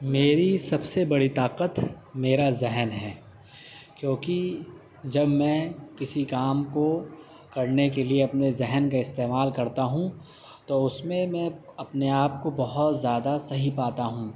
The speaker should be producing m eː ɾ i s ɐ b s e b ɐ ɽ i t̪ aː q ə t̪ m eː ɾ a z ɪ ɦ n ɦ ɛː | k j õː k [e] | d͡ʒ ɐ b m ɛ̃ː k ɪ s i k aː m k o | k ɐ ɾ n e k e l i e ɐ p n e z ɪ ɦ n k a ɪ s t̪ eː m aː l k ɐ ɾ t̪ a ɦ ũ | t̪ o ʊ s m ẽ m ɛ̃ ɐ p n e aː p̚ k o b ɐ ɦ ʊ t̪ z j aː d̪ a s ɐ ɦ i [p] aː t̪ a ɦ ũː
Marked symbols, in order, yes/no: no, yes

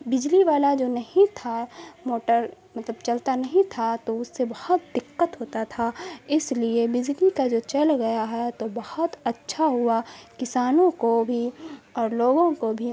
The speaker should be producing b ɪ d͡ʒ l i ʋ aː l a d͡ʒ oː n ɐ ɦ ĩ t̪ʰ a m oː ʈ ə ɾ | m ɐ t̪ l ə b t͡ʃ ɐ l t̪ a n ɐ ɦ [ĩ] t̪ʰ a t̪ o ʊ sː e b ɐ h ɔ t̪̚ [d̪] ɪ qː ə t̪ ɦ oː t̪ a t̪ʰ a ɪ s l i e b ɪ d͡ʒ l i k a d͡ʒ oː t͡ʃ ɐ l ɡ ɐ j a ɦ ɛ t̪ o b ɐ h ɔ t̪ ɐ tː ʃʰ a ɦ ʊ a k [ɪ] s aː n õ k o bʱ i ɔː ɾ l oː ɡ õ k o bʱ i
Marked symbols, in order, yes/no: yes, yes, yes

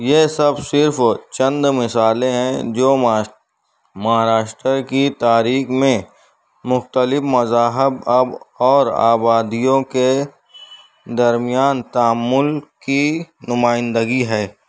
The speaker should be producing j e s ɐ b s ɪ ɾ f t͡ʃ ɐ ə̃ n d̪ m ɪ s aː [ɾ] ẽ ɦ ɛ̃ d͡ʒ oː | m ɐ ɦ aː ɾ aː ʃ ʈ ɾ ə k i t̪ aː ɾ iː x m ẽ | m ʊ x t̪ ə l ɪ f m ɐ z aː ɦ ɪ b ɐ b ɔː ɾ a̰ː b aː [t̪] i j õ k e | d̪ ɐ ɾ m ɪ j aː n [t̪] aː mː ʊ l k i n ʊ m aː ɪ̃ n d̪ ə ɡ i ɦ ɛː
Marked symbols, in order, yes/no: no, no, yes

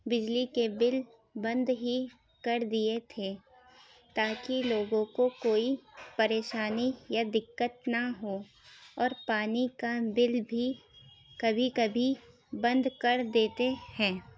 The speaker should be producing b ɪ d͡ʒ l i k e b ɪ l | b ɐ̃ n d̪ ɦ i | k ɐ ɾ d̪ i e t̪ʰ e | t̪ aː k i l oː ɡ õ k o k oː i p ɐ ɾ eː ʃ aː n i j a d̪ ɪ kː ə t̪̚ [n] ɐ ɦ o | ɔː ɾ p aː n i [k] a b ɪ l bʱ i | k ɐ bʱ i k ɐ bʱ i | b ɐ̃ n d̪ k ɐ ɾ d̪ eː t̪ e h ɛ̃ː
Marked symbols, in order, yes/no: yes, yes

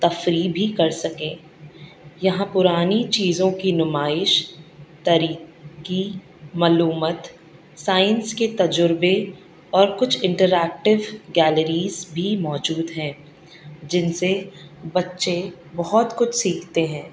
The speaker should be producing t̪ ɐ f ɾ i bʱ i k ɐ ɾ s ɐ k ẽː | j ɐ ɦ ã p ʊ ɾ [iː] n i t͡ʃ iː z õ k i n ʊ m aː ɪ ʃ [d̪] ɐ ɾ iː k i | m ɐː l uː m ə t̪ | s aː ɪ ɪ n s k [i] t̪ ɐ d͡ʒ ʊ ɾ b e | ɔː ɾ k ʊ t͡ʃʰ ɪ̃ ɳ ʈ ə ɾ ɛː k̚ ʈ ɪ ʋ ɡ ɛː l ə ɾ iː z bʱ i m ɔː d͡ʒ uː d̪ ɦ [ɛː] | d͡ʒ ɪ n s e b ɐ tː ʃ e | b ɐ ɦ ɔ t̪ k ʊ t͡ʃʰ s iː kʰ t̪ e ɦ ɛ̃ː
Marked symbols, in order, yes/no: no, no, no, no

